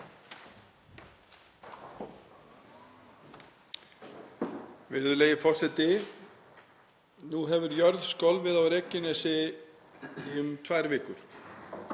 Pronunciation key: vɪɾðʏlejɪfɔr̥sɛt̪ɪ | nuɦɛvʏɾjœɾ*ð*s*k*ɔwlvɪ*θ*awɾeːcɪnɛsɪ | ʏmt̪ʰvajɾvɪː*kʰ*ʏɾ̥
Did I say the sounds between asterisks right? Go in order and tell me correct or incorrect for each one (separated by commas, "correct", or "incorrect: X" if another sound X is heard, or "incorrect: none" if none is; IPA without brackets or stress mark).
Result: correct, correct, incorrect: ð, incorrect: k